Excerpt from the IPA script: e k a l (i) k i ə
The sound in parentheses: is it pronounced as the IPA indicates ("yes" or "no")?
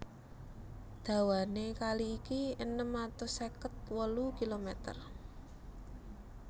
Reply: no